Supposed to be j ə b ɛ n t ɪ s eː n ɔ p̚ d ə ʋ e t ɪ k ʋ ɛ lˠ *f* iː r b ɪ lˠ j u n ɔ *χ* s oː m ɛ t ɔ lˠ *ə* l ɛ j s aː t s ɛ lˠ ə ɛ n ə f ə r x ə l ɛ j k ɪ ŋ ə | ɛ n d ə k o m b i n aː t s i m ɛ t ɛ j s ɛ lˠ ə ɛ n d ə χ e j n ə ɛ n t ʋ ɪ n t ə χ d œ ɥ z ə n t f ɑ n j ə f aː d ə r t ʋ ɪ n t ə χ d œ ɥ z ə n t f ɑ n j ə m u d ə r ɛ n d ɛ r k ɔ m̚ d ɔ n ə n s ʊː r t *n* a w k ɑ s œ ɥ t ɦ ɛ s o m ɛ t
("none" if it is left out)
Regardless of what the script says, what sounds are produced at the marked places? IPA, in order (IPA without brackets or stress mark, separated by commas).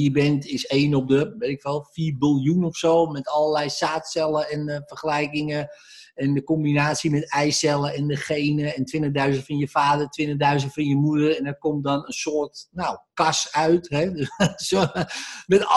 f, f, ə, n